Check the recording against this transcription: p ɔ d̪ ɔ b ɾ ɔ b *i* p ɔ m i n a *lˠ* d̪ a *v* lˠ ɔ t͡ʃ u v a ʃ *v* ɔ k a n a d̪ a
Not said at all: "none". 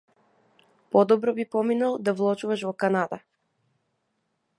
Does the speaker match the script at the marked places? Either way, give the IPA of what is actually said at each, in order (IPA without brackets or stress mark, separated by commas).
i, lˠ, v, v